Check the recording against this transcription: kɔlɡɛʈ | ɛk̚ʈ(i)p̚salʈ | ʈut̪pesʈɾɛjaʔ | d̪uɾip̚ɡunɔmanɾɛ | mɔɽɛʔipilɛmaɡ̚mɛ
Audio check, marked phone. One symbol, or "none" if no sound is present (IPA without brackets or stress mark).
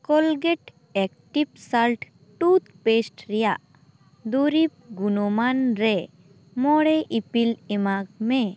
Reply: i